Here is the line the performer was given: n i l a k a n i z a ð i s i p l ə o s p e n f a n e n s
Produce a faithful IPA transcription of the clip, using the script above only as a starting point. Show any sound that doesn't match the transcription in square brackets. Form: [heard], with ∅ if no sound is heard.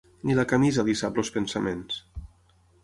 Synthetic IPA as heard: n i l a k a [m] i z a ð i s [a] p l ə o s p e n [s] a [m] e n s